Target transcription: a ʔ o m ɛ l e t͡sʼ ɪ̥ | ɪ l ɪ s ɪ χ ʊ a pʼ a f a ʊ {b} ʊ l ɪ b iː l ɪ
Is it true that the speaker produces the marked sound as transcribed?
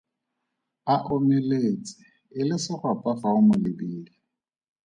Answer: no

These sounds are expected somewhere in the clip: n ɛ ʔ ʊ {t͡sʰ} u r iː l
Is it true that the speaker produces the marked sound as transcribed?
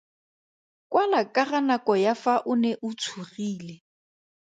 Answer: yes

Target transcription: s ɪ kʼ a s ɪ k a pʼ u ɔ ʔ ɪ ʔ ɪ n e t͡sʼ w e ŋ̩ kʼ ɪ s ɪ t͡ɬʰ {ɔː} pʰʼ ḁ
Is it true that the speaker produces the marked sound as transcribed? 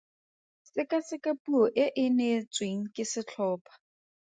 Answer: yes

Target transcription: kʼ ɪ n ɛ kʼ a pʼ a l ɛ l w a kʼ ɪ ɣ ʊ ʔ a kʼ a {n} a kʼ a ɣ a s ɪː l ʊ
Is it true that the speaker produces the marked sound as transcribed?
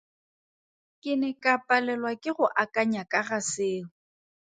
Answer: no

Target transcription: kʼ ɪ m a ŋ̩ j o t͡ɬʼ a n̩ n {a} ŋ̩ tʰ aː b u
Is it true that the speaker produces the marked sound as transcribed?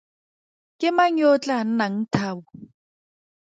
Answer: yes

